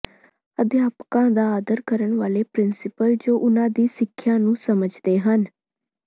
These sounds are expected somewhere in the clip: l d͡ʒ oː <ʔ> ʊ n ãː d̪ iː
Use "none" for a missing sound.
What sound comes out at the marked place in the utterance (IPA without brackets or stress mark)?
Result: ʔ